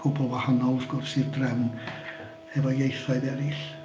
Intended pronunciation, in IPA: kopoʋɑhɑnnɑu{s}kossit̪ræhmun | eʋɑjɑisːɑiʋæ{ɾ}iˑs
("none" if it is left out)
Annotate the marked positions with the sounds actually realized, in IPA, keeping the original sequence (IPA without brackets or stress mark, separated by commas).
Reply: s, l